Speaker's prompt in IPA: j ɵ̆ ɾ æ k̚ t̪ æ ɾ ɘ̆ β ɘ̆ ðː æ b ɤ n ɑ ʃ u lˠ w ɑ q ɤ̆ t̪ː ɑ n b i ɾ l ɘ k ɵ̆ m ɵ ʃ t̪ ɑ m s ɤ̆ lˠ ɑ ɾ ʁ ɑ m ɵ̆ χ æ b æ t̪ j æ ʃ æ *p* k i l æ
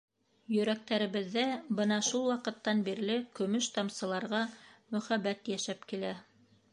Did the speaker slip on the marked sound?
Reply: no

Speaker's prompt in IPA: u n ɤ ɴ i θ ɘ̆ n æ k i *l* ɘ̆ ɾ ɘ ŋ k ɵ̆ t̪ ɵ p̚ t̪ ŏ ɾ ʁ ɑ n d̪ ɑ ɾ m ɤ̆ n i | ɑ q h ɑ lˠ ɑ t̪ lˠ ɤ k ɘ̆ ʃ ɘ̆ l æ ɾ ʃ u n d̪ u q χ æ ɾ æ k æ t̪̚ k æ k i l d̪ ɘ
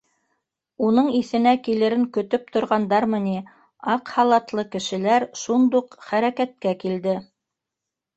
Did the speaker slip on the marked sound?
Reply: no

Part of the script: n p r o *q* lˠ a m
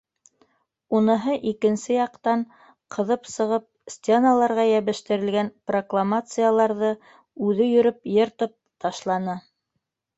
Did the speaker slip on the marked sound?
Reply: yes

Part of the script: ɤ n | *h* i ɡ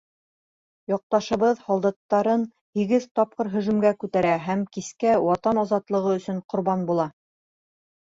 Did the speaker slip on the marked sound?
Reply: no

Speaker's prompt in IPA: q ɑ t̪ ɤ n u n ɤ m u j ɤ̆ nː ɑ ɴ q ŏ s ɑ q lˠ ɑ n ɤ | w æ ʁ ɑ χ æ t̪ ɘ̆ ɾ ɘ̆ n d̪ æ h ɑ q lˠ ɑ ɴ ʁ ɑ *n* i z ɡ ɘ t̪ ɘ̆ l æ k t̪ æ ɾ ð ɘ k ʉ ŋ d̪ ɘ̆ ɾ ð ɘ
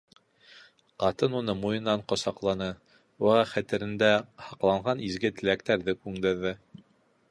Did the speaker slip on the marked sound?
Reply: no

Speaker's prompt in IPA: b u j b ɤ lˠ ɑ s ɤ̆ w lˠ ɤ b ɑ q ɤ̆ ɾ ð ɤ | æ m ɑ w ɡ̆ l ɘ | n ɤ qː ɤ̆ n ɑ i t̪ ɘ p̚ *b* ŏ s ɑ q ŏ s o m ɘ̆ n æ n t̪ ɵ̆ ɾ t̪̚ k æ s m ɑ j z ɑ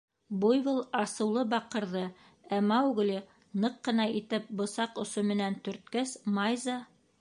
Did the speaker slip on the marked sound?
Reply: no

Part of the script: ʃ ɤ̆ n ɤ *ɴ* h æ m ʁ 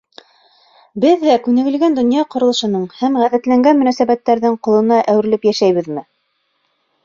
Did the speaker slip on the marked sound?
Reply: no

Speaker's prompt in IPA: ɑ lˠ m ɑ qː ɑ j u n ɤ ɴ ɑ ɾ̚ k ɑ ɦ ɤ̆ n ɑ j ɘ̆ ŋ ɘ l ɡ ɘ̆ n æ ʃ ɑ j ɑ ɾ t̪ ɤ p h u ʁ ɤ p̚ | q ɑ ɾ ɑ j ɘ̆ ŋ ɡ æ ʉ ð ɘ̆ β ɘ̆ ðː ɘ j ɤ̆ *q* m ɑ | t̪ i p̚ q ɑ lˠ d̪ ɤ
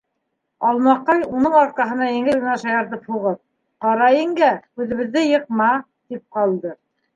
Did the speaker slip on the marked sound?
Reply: no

